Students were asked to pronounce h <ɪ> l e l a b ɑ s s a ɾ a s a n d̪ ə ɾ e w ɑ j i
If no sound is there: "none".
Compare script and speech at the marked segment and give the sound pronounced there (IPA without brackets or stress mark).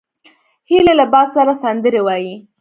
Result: i